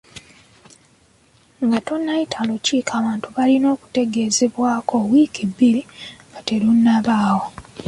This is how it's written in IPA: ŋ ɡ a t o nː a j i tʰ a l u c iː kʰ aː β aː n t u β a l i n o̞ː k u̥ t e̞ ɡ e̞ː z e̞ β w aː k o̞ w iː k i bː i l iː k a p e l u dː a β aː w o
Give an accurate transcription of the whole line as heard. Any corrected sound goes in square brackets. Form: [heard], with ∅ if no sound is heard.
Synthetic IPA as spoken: ŋ ɡ a t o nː a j i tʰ a l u c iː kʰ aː β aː n t u β a l i n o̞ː k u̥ t e̞ ɡ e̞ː z e̞ β w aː k o̞ w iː k i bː i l [i] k a [t] e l u [nː] a β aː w o